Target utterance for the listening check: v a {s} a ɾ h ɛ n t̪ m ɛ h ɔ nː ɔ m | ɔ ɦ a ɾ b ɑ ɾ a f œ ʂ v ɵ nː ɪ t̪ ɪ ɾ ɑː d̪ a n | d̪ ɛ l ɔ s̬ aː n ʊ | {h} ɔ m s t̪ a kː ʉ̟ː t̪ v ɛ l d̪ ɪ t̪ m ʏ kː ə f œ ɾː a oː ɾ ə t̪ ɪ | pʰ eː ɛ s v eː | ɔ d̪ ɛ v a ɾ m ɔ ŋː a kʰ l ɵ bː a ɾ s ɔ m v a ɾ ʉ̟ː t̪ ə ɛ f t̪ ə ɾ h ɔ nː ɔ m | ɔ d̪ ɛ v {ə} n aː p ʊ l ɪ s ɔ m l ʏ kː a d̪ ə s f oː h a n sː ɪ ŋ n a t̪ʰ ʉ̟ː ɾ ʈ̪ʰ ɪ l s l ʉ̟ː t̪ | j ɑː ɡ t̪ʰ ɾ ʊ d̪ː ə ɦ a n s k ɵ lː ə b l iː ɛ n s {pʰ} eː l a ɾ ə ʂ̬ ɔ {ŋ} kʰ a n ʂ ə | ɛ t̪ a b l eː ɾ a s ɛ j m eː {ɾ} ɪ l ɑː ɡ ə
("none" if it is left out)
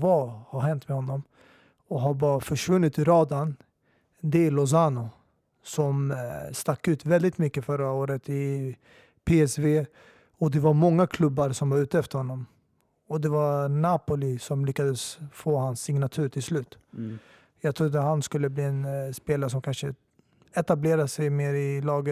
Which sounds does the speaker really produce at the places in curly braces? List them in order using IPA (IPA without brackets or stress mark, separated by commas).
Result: h, s, a, p, m, ɾ